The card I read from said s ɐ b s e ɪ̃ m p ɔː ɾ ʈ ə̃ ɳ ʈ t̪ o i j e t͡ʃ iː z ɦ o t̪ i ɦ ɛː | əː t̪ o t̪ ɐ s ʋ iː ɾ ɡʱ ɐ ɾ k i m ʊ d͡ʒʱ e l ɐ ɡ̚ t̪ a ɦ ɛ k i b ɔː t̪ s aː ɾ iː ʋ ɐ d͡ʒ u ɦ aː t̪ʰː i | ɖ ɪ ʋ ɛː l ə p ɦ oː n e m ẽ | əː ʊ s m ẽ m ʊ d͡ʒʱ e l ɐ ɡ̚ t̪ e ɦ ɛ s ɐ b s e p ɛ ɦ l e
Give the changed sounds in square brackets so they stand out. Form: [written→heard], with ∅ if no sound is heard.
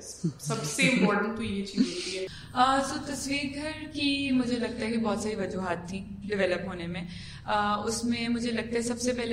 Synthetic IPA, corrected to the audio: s ɐ b s e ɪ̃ m p ɔː ɾ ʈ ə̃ ɳ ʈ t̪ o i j e t͡ʃ iː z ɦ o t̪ i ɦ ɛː | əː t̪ o t̪ ɐ s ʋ iː ɾ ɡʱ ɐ ɾ k i m ʊ d͡ʒʱ e l ɐ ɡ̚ t̪ a ɦ ɛ k i b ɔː t̪ s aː ɾ [iː→i] ʋ ɐ d͡ʒ u ɦ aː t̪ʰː i | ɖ ɪ ʋ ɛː l ə p ɦ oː n e m ẽ | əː ʊ s m ẽ m ʊ d͡ʒʱ e l ɐ ɡ̚ t̪ [e→a] ɦ ɛ s ɐ b s e p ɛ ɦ l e